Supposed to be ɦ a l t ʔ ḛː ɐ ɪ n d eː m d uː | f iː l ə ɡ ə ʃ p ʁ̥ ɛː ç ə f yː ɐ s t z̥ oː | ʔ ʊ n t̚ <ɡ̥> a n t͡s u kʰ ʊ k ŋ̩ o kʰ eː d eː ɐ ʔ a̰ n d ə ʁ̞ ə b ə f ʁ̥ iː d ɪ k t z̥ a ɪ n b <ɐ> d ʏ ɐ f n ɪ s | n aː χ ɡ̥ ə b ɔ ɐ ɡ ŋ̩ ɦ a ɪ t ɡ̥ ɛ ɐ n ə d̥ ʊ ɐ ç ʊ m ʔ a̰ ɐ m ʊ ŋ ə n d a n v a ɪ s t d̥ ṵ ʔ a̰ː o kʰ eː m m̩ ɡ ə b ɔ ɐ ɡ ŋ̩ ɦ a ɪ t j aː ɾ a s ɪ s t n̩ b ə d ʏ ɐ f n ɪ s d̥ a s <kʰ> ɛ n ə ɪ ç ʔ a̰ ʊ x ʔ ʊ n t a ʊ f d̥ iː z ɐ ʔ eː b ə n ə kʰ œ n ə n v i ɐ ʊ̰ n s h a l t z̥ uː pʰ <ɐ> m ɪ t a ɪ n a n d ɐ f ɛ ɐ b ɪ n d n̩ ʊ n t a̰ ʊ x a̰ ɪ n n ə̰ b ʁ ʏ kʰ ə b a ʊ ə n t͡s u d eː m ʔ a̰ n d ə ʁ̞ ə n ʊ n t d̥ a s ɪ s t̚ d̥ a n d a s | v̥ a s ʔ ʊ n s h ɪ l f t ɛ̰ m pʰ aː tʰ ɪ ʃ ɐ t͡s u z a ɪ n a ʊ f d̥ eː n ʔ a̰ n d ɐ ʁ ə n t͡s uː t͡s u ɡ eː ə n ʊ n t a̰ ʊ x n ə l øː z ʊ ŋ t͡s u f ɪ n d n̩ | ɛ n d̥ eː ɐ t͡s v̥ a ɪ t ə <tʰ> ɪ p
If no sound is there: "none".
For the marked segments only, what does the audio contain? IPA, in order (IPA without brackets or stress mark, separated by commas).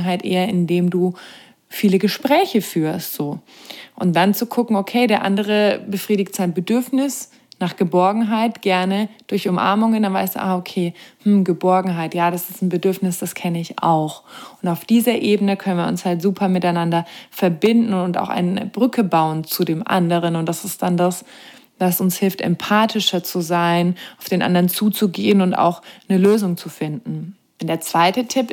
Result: d̥, ə, kʰ, ɐ, tʰ